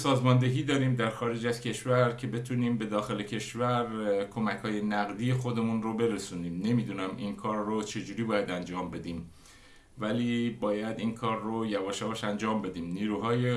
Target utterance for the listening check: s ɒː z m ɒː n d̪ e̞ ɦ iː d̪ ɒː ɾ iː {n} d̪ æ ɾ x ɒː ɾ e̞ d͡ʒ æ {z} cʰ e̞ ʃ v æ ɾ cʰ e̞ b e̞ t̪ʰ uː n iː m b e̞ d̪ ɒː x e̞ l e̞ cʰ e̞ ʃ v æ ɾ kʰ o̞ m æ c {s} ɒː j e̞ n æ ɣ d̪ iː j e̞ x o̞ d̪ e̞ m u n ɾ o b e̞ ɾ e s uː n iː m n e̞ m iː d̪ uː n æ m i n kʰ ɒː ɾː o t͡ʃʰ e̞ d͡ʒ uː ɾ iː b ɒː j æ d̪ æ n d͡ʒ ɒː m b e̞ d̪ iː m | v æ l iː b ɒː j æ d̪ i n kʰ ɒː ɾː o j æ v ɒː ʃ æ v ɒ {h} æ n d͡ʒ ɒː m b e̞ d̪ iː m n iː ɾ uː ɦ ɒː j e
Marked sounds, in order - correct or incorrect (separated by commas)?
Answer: incorrect, correct, incorrect, incorrect